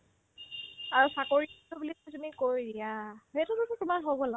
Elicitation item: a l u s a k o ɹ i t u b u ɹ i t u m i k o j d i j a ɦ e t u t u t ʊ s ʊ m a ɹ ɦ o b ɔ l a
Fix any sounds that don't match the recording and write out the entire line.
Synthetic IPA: a ɹ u s a k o ɹ i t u b u l i t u m i k o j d i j a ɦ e t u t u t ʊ t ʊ m a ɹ ɦ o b ɔ l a